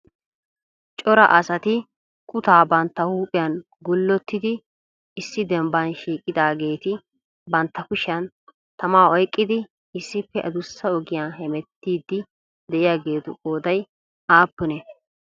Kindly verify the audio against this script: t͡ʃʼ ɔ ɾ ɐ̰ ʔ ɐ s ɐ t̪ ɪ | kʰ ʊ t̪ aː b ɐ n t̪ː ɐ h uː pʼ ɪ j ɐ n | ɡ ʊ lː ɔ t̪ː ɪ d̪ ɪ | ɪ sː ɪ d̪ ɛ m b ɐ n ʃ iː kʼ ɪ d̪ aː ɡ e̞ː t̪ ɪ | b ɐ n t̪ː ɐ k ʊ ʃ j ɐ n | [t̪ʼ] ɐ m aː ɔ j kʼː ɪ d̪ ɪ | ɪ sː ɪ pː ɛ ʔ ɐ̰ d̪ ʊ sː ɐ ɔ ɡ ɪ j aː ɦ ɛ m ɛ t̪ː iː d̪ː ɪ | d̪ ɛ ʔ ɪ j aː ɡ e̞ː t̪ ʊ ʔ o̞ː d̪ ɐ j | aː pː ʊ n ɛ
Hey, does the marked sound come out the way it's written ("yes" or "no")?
no